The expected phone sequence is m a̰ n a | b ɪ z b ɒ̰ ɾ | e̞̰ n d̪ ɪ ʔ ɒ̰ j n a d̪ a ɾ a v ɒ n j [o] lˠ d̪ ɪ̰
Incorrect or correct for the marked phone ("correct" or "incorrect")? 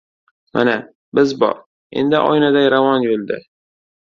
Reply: correct